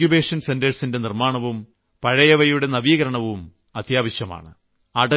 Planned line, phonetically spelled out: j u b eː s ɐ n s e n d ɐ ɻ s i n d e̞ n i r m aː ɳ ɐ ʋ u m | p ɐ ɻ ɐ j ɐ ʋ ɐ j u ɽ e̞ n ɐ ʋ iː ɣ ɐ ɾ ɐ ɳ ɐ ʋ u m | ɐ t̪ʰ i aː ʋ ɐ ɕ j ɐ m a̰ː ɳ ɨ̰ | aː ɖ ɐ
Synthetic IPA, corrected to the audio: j u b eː ʂ ɐ n s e n d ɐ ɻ s i n d e̞ n i r m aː ɳ ɐ ʋ u m | p ɐ ɻ ɐ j ɐ ʋ ɐ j u ɽ e̞ n ɐ ʋ iː ɣ ɐ ɾ ɐ ɳ ɐ ʋ u m | ɐ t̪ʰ j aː ʋ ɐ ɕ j ɐ m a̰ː ɳ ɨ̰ | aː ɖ ɐ